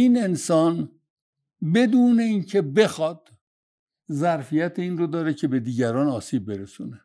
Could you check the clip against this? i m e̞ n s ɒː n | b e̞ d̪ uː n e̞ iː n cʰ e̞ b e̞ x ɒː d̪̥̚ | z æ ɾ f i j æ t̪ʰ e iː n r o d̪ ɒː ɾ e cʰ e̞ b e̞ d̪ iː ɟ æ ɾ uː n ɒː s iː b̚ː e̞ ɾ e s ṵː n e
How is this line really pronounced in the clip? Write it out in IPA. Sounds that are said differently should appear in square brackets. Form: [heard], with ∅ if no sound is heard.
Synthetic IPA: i [n] e̞ n s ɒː n | b e̞ d̪ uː n e̞ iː n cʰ e̞ b e̞ x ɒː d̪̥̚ | z æ ɾ f i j æ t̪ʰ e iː n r o d̪ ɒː ɾ e cʰ e̞ b e̞ d̪ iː ɟ æ ɾ [ɒː] n ɒː s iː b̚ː e̞ ɾ e s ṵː n e